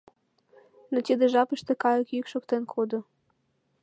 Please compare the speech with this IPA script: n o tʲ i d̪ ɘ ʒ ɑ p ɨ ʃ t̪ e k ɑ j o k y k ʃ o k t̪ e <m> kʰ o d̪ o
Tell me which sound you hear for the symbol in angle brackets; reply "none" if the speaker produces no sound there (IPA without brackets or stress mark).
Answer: n